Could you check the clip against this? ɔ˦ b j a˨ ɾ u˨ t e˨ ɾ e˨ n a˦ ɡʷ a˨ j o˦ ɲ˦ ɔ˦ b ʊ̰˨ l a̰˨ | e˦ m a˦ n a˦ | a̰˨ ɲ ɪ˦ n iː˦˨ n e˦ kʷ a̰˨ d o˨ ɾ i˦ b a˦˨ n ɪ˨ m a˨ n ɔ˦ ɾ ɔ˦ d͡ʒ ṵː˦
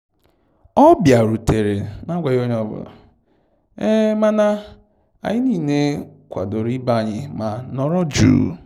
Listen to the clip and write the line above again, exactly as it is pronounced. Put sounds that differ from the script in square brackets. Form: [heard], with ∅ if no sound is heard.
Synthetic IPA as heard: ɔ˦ b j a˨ ɾ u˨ t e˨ ɾ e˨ n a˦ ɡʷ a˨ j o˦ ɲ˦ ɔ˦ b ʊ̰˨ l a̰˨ | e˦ m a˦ n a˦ | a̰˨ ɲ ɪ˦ n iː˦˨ n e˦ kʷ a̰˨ d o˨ ɾ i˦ b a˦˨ [ɲ] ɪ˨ m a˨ n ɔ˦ ɾ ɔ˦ d͡ʒ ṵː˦